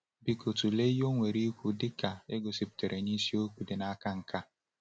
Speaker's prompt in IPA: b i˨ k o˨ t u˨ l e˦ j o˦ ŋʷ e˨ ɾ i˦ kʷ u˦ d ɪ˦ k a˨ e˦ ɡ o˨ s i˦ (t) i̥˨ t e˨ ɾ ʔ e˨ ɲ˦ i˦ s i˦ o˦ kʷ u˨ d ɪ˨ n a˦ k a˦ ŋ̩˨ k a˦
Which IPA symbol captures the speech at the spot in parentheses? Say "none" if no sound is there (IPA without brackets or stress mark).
p